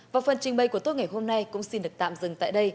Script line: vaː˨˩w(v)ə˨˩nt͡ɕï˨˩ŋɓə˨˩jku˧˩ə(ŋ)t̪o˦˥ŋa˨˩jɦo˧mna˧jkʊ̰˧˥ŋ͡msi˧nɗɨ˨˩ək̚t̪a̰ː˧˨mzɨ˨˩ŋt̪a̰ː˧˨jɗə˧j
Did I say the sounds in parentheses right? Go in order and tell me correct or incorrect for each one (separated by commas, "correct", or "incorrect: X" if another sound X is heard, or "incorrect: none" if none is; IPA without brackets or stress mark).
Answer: incorrect: f, incorrect: none